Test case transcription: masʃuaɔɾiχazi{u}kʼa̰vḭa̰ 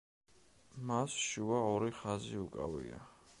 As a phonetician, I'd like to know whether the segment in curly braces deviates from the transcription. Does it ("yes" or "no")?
no